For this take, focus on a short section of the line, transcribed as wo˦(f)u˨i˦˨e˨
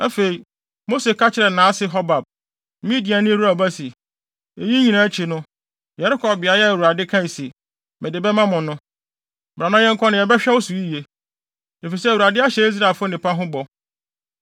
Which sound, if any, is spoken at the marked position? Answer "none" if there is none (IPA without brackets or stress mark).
s